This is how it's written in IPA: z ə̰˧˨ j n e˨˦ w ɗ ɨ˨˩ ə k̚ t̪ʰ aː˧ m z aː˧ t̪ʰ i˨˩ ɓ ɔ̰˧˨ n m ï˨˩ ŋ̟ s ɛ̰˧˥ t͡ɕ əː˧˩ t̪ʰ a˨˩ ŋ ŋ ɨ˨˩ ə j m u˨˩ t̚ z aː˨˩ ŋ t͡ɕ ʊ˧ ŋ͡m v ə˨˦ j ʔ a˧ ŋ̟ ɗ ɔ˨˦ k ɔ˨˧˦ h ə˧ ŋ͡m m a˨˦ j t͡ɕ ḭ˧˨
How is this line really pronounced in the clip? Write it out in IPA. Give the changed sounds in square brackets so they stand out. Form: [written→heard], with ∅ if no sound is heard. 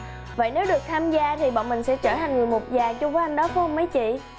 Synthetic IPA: [z→v] ə̰˧˨ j n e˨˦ w ɗ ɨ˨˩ ə k̚ t̪ʰ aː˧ m z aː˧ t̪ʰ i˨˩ ɓ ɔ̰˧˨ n m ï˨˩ ŋ̟ s ɛ̰˧˥ t͡ɕ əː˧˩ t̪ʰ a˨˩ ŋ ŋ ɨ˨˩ ə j m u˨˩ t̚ z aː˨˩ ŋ t͡ɕ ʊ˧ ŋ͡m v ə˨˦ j ʔ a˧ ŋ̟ ɗ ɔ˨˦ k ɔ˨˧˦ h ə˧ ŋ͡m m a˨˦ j t͡ɕ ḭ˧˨